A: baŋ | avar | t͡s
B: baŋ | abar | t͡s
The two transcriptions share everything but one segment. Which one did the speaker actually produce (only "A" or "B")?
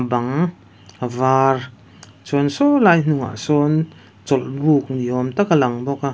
A